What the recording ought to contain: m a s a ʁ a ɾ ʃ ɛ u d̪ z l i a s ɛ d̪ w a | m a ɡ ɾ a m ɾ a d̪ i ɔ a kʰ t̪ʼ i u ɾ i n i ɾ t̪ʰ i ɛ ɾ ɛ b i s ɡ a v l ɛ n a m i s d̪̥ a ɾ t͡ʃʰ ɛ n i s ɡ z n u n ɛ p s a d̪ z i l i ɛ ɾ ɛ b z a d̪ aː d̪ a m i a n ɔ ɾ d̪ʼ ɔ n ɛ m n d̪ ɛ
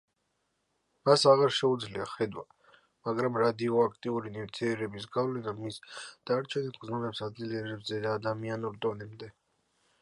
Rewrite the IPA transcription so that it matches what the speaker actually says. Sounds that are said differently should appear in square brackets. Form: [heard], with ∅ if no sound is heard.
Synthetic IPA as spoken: m a s a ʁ a ɾ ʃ ɛ u d̪ z l i a [χ] ɛ d̪ w a | m a ɡ ɾ a m ɾ a d̪ i ɔ a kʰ t̪ʼ i u ɾ i n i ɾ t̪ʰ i ɛ ɾ ɛ b i s ɡ a v l ɛ n a m i s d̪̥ a ɾ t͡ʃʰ ɛ n i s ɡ z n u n ɛ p s a d̪ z i l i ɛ ɾ ɛ b z [ɛ] d̪ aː d̪ a m i a n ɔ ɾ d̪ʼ ɔ n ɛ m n d̪ ɛ